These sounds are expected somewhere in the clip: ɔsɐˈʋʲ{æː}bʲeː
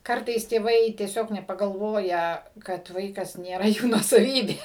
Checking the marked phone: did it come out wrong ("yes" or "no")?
yes